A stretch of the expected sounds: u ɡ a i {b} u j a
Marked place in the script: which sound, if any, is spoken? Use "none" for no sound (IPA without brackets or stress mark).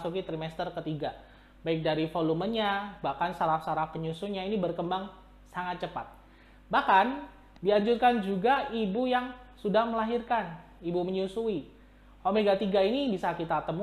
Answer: b